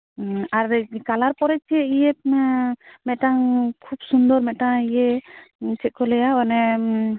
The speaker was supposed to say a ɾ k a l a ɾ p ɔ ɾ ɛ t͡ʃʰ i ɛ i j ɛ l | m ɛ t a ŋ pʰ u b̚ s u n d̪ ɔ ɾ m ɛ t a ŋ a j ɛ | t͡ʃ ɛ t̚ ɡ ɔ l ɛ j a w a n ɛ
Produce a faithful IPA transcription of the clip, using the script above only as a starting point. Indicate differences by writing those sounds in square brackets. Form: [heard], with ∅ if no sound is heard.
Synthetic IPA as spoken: a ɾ k a l a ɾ p ɔ ɾ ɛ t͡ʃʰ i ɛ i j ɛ [∅] | m ɛ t a ŋ [kʰ] u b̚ s u n d̪ ɔ ɾ m ɛ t a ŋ [i] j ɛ | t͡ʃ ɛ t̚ [k] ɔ l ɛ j a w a n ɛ

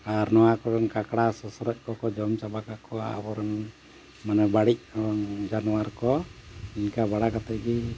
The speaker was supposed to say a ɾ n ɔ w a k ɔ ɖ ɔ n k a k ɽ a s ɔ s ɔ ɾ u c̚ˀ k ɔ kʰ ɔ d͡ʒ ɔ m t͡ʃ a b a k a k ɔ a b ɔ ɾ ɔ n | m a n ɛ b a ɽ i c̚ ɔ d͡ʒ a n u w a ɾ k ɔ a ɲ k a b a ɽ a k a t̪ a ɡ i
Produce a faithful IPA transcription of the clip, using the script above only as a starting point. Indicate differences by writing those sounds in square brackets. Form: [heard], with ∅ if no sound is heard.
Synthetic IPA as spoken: a ɾ n ɔ w a k ɔ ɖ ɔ n k a k ɽ a s ɔ s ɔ ɾ [ɔ] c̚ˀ k ɔ [k] ɔ d͡ʒ ɔ m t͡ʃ a b a k a k ɔ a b ɔ ɾ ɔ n | m a n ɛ b a ɽ i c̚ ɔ d͡ʒ a n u w a ɾ k ɔ [i] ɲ k a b a ɽ a k a t̪ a ɡ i

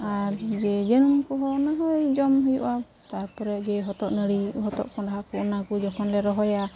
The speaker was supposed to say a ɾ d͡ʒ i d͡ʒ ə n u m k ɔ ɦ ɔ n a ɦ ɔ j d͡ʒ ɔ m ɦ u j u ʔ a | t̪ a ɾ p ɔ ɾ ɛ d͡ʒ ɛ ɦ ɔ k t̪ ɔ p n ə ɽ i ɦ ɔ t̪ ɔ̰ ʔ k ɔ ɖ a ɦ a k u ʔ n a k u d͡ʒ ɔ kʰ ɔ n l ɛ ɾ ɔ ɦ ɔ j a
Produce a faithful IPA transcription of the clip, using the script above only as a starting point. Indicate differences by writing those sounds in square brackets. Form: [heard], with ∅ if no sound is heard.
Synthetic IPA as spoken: a ɾ d͡ʒ [ɛ] d͡ʒ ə n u m k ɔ ɦ ɔ n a ɦ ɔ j d͡ʒ ɔ m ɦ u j u ʔ a | t̪ a ɾ p ɔ ɾ ɛ d͡ʒ ɛ ɦ ɔ [∅] t̪ ɔ [ʔ] n ə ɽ i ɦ ɔ t̪ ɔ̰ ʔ k ɔ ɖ a ɦ a k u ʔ n a k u d͡ʒ ɔ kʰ ɔ n l ɛ ɾ ɔ ɦ ɔ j a

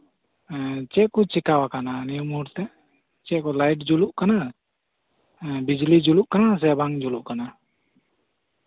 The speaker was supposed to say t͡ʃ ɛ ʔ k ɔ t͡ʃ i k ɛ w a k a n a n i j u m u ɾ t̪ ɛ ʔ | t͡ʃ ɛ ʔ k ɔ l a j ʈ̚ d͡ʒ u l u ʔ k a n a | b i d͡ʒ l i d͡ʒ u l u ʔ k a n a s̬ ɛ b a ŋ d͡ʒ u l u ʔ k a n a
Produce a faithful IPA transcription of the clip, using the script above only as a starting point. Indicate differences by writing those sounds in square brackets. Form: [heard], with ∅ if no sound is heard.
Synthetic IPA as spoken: t͡ʃ ɛ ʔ k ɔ t͡ʃ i k [a] w a k a n a n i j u m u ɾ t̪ ɛ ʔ | t͡ʃ ɛ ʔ k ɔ l a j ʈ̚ d͡ʒ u l u ʔ k a n a | b i d͡ʒ l i d͡ʒ u l u ʔ k a n a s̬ ɛ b a ŋ d͡ʒ u l u ʔ k a n a

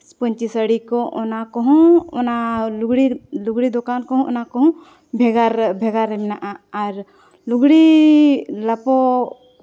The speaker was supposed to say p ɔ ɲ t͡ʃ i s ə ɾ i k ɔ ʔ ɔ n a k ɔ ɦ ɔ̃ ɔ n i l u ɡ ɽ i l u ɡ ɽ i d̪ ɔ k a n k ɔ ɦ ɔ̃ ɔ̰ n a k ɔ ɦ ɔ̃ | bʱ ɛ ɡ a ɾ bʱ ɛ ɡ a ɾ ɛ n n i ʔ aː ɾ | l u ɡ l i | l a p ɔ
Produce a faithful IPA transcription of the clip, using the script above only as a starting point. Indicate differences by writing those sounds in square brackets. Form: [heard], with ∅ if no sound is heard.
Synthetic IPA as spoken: p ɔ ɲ t͡ʃ i s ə [ɽ] i k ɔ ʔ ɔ n a k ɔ ɦ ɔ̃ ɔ n [a] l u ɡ ɽ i l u ɡ ɽ i d̪ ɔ k a n k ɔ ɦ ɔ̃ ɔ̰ n a k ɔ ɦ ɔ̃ | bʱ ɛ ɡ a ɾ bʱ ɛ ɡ a ɾ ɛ [m] n [a] ʔ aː ɾ | l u ɡ [ɽ] i | l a p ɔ

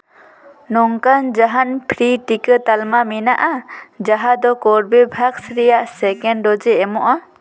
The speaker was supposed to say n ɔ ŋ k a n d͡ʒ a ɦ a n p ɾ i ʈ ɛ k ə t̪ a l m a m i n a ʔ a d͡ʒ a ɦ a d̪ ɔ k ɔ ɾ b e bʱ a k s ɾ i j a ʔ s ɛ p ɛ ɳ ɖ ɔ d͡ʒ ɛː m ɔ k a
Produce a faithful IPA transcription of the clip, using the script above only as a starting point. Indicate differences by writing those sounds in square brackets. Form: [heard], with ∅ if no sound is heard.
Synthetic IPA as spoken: n ɔ ŋ k a n d͡ʒ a ɦ a n [pʰ] ɾ i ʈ [i] k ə t̪ a l m a m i n a ʔ a d͡ʒ a ɦ a d̪ ɔ k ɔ ɾ b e bʱ a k s ɾ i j a ʔ s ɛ [k] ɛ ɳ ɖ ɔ d͡ʒ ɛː m ɔ [ʔ] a

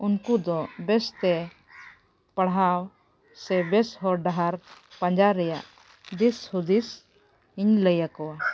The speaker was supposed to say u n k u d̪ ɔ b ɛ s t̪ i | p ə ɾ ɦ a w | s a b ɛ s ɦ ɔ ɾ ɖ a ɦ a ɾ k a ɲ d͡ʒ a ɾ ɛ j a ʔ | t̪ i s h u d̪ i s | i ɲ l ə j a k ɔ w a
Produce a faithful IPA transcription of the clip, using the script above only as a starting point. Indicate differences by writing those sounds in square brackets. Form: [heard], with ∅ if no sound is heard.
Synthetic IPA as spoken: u n k u d̪ ɔ b ɛ s t̪ [ɛ] | p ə [ɽ] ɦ a w | s [ɛ] b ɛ s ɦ ɔ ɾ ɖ a ɦ a ɾ [p] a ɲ d͡ʒ a ɾ ɛ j a ʔ | [d̪] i s h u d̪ i s | i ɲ l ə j a k ɔ w a

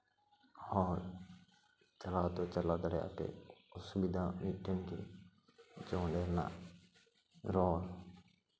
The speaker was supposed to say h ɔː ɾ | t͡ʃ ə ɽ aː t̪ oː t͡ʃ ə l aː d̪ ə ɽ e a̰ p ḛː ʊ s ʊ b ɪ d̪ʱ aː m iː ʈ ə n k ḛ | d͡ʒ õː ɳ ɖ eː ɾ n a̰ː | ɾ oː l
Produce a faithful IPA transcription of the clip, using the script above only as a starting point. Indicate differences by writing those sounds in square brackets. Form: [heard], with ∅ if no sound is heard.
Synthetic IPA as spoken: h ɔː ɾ | t͡ʃ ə [l] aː t̪ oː t͡ʃ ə l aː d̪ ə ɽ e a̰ p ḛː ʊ s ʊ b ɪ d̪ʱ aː m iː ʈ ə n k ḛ | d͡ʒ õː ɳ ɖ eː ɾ n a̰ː | ɾ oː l

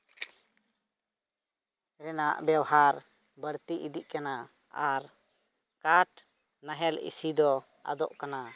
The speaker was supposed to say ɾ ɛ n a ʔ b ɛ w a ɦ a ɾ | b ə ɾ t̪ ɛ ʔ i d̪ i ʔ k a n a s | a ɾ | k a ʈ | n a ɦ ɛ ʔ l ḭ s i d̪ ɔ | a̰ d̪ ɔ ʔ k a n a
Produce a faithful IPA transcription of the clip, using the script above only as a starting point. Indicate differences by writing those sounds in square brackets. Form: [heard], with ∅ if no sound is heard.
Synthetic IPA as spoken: ɾ ɛ n a ʔ b ɛ w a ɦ a ɾ | b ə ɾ t̪ [i] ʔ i d̪ i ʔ k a n a [∅] | a ɾ | k a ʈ | n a ɦ ɛ [∅] l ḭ s i d̪ ɔ | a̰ d̪ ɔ ʔ k a n a

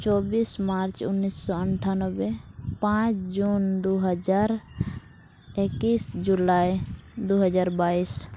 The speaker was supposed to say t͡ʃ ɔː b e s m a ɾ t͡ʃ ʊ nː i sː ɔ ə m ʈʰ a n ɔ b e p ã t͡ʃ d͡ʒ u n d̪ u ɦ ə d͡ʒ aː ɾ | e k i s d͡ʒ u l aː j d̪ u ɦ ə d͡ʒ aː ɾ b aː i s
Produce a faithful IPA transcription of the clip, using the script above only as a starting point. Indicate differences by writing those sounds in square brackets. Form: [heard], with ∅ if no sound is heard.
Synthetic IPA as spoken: t͡ʃ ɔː b [i] s m a ɾ t͡ʃ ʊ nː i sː ɔ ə [ɳ] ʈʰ a n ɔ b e p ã t͡ʃ d͡ʒ u n d̪ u ɦ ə d͡ʒ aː ɾ | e k i s d͡ʒ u l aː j d̪ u ɦ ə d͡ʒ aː ɾ b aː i s

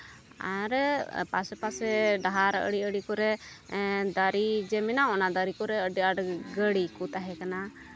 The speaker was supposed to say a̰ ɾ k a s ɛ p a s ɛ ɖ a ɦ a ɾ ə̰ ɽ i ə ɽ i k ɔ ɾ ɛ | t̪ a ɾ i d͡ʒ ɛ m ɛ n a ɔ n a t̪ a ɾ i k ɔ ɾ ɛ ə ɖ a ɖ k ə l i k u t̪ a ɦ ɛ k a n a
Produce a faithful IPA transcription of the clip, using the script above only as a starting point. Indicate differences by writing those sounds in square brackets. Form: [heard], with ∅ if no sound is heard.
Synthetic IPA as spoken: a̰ ɾ [p] a s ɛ p a s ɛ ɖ a ɦ a ɾ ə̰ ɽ i ə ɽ i k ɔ ɾ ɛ | [d̪] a ɾ i d͡ʒ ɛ m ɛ n a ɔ n a [d̪] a ɾ i k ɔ ɾ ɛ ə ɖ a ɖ [ɡ] ə [ɽ] i k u t̪ a ɦ ɛ k a n a

